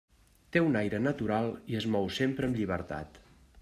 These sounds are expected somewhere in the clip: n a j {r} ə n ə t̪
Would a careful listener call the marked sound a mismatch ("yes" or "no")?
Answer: yes